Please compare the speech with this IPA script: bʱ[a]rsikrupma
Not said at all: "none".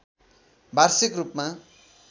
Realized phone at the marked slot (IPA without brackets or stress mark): a